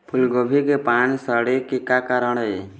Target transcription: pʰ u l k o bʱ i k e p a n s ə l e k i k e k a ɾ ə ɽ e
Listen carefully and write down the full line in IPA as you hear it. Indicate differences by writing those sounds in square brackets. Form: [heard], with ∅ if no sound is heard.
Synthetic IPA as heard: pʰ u l [ɡ] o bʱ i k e p a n s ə [ɽ] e k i k [a] k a ɾ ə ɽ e